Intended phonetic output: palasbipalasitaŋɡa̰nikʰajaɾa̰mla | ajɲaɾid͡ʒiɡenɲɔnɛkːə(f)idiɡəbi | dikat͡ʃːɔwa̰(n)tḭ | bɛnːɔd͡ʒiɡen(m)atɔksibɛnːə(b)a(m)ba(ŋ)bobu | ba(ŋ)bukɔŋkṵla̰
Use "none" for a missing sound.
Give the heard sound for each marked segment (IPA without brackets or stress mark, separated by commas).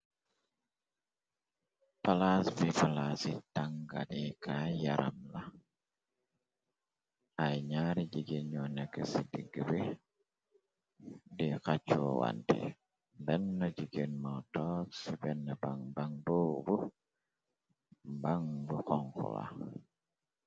s, n, m, b, ŋ, ŋ, ŋ